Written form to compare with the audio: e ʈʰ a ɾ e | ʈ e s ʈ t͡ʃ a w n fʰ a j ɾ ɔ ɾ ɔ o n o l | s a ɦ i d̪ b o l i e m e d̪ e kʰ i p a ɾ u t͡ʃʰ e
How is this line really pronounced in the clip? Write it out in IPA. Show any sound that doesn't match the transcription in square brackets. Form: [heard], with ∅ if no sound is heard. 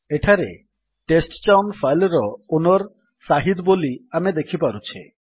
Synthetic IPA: e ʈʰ a ɾ e | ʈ e s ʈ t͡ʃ a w n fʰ a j [l] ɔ ɾ ɔ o n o [ɾ] | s a ɦ i d̪ b o l i [a] m e d̪ e kʰ i p a ɾ u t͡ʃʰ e